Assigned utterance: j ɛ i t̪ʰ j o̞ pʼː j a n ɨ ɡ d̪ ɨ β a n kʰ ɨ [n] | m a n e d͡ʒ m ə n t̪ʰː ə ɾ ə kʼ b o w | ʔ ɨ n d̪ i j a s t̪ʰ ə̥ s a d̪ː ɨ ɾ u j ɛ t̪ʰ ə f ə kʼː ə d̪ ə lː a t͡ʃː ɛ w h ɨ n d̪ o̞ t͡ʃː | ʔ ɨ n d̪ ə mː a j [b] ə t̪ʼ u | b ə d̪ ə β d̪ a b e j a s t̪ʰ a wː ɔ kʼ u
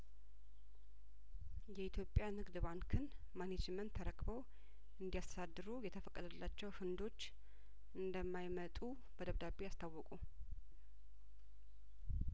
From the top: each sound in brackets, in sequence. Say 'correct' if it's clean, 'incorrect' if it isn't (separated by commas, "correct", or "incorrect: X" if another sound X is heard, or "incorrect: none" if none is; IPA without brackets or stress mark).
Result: correct, incorrect: m